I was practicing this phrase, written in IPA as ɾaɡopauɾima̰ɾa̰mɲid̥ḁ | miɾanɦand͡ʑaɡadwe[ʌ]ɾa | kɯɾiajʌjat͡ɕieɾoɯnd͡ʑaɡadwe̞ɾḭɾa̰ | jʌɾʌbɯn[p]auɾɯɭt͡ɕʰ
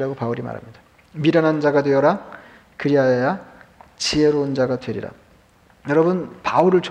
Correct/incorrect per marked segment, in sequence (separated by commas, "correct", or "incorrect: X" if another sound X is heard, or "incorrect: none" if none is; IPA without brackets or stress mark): correct, correct